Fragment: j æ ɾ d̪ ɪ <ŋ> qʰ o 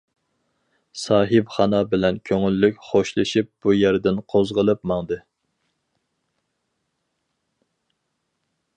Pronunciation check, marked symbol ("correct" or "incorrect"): incorrect